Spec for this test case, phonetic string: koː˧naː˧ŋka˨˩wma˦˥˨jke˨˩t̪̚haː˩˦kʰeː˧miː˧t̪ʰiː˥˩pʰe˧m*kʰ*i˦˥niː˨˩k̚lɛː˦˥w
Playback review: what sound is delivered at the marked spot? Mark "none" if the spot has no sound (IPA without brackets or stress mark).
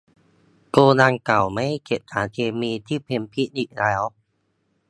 pʰ